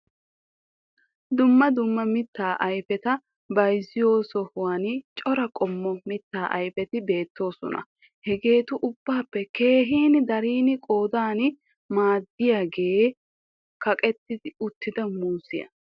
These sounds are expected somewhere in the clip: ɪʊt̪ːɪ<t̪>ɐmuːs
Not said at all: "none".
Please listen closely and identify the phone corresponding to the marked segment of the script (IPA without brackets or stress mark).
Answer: d̪